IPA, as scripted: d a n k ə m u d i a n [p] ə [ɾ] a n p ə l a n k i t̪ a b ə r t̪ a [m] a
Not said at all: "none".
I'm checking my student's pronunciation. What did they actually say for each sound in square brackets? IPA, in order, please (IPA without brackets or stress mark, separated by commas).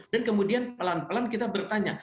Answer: p, l, ɲ